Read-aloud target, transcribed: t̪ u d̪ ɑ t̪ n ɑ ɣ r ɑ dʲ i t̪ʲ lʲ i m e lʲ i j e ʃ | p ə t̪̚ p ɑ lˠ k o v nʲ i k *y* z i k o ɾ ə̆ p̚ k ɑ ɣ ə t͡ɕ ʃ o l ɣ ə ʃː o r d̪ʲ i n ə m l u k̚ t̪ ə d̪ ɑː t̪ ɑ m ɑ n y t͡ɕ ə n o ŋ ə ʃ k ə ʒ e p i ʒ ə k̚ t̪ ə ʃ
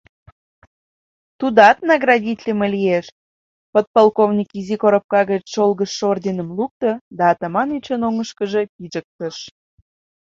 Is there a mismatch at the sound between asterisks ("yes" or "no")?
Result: yes